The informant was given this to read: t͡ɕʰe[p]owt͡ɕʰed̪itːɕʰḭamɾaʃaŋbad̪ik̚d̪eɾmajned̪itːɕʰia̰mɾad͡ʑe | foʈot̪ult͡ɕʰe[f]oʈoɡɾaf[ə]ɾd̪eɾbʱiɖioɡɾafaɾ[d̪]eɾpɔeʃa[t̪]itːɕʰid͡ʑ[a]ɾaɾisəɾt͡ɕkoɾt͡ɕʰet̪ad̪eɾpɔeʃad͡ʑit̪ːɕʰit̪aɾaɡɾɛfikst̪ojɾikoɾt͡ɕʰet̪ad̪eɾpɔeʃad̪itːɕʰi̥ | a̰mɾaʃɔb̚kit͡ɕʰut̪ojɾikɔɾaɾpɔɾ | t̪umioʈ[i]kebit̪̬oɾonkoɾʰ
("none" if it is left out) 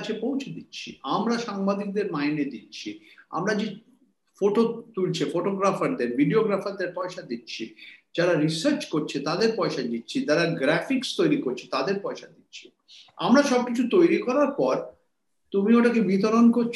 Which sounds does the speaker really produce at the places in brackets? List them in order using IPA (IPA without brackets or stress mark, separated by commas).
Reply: p, f, a, d̪, d̪, a, a